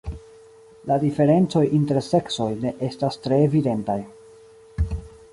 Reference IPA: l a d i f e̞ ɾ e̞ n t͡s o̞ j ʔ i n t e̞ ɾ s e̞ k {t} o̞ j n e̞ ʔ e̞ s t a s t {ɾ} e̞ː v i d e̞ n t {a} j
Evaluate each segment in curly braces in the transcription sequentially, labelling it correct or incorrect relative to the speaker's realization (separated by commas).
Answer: incorrect, correct, correct